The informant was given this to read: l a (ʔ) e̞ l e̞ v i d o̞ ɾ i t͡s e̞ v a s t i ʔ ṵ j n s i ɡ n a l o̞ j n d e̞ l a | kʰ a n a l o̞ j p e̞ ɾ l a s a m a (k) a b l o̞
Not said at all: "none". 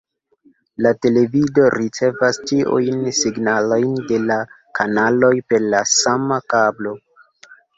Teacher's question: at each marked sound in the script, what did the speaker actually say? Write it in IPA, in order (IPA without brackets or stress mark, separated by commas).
t, k